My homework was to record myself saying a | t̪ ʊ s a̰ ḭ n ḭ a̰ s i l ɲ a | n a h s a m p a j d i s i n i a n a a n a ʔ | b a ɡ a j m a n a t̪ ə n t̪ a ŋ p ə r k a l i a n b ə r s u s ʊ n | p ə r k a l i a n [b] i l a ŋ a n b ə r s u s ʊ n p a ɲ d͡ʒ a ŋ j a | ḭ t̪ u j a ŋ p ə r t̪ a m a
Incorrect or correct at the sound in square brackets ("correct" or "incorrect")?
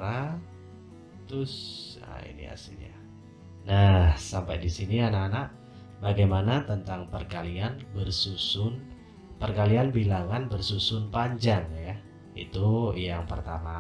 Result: correct